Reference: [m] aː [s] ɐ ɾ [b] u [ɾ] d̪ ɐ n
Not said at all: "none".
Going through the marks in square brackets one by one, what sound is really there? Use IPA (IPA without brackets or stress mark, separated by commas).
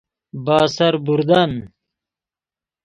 b, s, b, ɾ